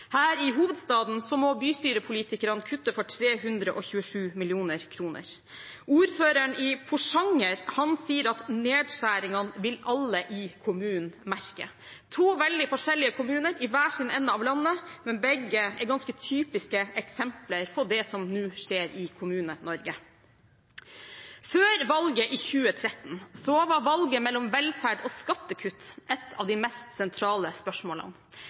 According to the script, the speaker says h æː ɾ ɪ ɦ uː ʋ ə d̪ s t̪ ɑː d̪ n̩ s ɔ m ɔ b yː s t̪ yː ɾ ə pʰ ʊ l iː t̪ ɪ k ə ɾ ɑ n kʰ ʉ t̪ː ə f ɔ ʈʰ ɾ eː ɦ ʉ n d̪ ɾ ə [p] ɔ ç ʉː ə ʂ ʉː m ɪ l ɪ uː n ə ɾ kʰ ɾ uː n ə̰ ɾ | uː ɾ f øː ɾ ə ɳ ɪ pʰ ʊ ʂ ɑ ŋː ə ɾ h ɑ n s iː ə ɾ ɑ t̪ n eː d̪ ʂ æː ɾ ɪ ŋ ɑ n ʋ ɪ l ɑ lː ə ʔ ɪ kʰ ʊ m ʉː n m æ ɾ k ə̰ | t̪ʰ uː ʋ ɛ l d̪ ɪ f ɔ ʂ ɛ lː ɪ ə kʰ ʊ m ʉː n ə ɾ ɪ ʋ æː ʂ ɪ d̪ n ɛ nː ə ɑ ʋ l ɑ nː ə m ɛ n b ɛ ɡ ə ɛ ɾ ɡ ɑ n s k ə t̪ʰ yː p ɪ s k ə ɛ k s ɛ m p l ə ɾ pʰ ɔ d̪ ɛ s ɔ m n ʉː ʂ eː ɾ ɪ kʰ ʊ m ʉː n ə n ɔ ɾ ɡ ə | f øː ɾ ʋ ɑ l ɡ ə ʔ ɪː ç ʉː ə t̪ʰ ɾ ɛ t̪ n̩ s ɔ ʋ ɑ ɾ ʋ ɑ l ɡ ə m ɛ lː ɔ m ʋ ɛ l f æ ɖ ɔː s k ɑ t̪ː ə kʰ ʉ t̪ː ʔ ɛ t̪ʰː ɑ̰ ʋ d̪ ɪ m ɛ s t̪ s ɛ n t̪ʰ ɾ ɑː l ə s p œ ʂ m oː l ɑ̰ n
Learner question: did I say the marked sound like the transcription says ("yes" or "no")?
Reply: no